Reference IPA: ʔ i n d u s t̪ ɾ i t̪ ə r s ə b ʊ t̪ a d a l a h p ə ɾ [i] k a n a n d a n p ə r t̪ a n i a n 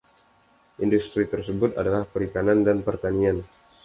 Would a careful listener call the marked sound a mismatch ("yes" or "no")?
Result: no